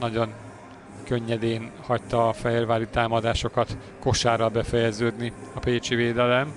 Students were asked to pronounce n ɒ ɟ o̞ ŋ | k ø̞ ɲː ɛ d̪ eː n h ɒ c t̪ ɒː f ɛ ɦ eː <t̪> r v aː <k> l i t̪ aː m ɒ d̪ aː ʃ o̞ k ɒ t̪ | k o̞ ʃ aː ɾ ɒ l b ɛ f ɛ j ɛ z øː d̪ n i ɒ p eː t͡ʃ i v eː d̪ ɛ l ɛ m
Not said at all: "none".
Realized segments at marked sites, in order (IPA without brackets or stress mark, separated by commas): none, none